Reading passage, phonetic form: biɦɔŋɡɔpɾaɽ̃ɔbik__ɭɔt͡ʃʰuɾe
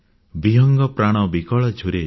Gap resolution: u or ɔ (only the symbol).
ɔ